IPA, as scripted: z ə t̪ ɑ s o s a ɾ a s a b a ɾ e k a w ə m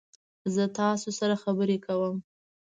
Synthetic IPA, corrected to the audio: z ə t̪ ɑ s o s a ɾ a x a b ə ɾ e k a w ə m